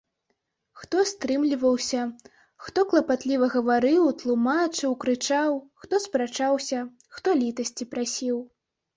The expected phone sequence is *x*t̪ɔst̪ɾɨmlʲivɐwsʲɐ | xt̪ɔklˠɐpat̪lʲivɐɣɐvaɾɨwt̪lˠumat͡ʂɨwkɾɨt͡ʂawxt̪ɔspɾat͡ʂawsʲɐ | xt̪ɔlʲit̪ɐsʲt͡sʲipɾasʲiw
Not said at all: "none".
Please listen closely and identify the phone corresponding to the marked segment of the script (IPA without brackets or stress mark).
x